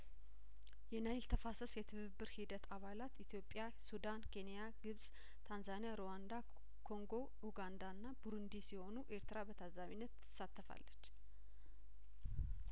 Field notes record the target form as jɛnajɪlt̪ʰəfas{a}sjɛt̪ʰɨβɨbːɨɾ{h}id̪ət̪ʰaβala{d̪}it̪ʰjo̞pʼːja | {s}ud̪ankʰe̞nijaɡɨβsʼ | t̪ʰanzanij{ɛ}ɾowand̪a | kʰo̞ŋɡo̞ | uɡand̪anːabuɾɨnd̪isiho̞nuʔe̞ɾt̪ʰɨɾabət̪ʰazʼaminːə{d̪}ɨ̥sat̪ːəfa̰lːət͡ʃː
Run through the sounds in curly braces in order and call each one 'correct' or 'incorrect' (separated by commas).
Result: incorrect, correct, incorrect, correct, incorrect, incorrect